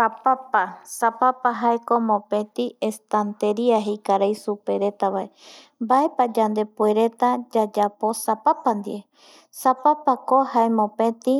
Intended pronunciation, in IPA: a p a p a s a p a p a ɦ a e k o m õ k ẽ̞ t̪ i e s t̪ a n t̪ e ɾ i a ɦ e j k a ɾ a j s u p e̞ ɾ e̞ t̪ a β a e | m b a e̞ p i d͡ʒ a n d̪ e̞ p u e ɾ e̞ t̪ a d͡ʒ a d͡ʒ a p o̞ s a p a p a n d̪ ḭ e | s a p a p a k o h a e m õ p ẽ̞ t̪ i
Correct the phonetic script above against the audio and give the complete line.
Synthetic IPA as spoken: a p a p a s a p a p a ɦ a e k o m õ p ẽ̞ t̪ i e s t̪ a n t̪ e ɾ i a ɦ e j k a ɾ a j s u p e̞ ɾ e̞ t̪ a β a e | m b a e̞ p a d͡ʒ a n d̪ e̞ p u e ɾ e̞ t̪ a d͡ʒ a d͡ʒ a p o̞ s a p a p a n d̪ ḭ e | s a p a p a k o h a e m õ p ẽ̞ t̪ i